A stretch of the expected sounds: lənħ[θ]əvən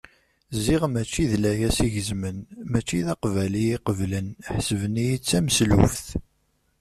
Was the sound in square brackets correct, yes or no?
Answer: no